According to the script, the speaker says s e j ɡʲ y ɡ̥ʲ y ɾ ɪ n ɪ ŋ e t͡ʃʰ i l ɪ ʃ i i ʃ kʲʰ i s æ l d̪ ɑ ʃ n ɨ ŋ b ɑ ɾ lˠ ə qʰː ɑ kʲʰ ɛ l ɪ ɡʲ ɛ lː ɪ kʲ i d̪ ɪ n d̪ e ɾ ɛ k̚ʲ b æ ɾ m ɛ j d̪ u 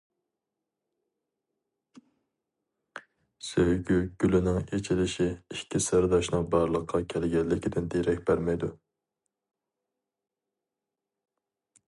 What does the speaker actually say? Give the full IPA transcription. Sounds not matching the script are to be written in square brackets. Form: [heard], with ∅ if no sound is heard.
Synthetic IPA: s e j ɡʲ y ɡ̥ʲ y [l] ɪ n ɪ ŋ e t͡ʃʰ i l ɪ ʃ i i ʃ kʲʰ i s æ [ɾ] d̪ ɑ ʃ n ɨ ŋ b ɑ ɾ lˠ ə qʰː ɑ kʲʰ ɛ l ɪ ɡʲ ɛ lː ɪ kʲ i d̪ ɪ n d̪ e ɾ ɛ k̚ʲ b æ ɾ m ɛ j d̪ u